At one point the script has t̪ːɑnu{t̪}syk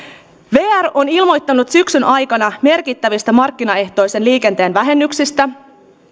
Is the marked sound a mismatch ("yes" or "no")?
no